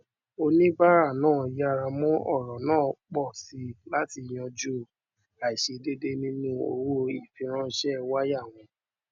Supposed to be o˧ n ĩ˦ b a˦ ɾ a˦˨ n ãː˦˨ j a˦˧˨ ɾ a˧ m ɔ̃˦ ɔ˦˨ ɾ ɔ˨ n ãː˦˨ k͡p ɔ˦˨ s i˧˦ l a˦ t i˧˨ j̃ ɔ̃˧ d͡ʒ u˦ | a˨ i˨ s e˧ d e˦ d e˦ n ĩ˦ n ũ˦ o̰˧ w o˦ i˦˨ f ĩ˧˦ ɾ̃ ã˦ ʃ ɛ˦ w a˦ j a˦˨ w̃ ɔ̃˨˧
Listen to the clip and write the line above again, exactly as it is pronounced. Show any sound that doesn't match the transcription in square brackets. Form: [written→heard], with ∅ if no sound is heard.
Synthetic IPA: o˧ n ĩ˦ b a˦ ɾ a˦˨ n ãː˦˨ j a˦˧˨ ɾ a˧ m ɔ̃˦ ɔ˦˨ ɾ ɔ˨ n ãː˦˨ k͡p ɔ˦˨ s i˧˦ l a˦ t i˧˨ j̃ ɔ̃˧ d͡ʒ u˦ | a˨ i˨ [s→ʃ] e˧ d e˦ d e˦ n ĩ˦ n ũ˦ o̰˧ w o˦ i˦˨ f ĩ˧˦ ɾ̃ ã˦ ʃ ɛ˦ w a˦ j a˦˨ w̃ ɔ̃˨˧